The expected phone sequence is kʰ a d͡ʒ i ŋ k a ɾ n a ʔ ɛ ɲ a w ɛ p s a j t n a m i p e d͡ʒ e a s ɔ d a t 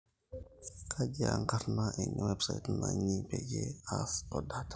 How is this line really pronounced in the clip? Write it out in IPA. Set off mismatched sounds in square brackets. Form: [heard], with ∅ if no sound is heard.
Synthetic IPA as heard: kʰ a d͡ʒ [a] ŋ k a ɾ n a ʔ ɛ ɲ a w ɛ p s a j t n a [ɲ] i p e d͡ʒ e a s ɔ d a t